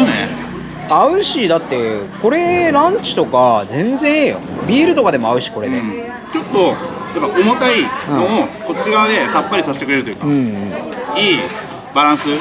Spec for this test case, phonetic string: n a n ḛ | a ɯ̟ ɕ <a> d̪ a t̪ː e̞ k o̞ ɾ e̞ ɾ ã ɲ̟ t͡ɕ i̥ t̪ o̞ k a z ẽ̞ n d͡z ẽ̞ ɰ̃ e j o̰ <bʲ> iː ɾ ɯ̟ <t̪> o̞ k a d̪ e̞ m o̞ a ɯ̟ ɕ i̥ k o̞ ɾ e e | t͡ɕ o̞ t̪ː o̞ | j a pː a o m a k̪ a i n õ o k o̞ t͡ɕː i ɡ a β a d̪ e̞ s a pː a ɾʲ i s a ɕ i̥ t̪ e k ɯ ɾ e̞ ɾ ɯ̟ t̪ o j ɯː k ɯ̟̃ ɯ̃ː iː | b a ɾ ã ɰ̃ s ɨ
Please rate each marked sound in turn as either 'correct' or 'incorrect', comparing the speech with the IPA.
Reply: incorrect: i, correct, correct

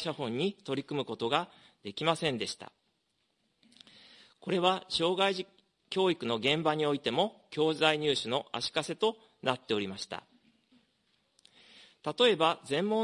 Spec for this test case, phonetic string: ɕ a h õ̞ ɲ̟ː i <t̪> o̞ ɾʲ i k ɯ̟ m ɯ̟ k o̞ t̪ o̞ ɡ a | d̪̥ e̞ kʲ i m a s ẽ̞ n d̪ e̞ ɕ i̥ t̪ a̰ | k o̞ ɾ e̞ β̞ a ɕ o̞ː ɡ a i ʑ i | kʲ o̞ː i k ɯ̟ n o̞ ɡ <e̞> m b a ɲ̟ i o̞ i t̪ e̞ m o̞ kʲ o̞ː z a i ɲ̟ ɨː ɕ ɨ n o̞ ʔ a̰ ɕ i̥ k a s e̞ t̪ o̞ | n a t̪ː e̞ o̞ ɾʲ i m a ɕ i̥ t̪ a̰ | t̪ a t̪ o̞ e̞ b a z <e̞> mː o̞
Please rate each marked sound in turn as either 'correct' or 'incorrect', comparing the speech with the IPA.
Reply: correct, incorrect: ẽ̞, incorrect: ẽ̞

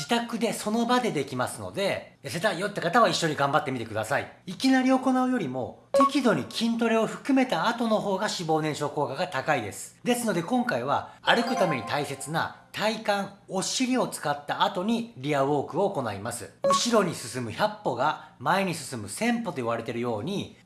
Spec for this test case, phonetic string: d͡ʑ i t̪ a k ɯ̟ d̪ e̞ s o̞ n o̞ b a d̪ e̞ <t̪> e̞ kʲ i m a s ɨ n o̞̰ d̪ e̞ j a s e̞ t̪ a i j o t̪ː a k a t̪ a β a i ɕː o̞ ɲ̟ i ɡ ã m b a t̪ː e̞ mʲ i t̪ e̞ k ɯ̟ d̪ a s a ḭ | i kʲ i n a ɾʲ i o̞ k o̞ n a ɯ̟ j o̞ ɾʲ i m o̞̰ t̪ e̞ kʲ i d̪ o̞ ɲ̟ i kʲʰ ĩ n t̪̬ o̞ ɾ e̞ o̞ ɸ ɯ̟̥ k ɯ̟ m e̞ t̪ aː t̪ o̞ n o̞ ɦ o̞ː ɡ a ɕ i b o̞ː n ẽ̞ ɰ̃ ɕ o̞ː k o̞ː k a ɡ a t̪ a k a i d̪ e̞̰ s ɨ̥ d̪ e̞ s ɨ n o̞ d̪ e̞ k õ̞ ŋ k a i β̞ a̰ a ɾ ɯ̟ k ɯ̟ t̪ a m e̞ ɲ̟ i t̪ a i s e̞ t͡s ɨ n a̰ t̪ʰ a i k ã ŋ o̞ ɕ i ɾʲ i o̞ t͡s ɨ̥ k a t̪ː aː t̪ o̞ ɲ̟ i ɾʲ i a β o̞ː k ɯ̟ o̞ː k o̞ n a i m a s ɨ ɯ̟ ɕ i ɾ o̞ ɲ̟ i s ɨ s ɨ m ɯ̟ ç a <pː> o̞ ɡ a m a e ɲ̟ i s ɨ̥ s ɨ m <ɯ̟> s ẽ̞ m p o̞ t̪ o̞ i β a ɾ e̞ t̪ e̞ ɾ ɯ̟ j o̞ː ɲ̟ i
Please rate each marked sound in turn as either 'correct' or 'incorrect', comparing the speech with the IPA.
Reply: incorrect: d̪, correct, correct

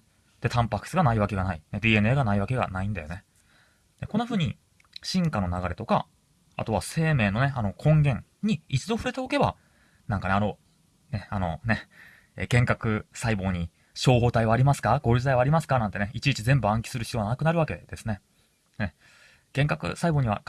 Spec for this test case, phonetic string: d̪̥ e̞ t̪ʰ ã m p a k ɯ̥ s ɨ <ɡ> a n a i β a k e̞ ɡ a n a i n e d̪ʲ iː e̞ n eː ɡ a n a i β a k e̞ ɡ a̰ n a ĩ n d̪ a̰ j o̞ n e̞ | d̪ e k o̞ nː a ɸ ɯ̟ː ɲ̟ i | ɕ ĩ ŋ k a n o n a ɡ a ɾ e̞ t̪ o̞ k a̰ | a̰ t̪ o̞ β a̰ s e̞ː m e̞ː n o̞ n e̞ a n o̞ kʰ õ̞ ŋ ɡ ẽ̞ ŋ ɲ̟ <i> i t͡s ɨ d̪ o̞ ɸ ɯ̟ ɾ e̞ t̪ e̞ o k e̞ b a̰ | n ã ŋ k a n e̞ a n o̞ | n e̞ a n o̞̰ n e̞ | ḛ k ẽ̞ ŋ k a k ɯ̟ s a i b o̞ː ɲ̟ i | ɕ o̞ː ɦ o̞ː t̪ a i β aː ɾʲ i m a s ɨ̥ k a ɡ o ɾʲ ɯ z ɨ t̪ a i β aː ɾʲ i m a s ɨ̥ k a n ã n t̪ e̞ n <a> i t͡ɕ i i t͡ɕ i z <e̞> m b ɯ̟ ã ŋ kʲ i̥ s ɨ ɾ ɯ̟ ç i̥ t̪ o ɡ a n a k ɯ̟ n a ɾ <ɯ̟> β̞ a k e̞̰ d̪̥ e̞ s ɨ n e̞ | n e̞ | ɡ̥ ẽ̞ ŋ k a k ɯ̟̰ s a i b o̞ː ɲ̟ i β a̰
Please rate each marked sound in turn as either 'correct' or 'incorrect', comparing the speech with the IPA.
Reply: correct, correct, incorrect: e, incorrect: ẽ̞, correct

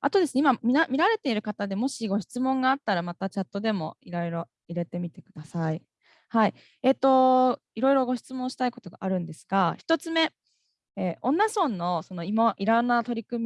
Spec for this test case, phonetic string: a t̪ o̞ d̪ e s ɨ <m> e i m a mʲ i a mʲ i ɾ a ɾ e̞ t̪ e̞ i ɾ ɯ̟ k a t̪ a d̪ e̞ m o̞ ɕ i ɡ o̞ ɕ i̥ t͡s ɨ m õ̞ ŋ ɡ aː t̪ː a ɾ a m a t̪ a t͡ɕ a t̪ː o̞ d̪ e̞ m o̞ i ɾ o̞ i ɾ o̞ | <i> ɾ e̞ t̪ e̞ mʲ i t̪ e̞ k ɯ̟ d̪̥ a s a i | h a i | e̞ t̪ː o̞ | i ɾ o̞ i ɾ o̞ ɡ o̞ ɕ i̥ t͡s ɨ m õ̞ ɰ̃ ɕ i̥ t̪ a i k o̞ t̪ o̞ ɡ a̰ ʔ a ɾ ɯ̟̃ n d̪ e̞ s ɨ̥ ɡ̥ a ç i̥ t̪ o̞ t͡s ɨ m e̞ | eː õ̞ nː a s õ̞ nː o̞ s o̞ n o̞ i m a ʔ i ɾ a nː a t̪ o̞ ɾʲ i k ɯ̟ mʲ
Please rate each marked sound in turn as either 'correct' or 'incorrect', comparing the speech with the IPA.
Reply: incorrect: n, correct

